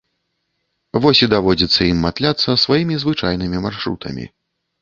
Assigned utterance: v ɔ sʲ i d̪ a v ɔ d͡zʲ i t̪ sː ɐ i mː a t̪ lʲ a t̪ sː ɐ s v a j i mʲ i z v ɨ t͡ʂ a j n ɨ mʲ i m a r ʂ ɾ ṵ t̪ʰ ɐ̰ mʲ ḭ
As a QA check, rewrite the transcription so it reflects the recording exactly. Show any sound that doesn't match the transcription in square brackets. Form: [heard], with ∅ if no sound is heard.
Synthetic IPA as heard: v ɔ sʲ i d̪ a v ɔ d͡zʲ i t̪ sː ɐ i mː a t̪ lʲ a t̪ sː ɐ s v a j i mʲ i z v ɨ t͡ʂ a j n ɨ mʲ i m a r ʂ ɾ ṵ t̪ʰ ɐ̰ mʲ ḭ